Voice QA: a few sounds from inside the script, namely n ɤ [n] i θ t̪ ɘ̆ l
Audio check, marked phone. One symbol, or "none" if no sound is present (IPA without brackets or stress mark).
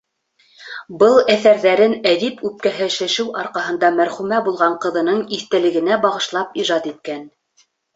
ɴ